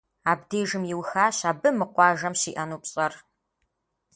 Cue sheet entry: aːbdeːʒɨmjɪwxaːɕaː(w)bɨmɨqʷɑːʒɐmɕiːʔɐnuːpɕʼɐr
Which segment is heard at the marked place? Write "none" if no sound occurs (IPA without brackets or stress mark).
none